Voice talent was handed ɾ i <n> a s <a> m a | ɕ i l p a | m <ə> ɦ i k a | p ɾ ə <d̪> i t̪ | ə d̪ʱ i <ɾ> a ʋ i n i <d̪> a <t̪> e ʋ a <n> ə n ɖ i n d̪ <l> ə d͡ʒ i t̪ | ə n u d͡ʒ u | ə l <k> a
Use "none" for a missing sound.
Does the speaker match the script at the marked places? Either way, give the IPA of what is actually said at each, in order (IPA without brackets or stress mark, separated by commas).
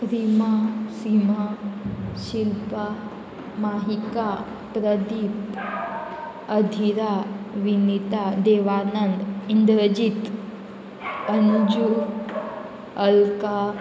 m, i, a, d̪, ɾ, t̪, d̪, n, ɾ, k